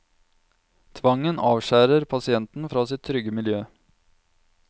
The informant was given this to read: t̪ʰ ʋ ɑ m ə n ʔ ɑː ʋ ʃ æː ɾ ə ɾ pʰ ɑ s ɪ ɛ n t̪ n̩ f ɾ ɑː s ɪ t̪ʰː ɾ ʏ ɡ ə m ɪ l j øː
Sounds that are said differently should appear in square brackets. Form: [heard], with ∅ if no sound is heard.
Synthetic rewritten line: t̪ʰ ʋ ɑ [ŋ] ə n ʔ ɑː ʋ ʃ æː ɾ ə ɾ pʰ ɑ s ɪ ɛ n t̪ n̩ f ɾ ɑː s ɪ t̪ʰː ɾ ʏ ɡ ə m ɪ l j øː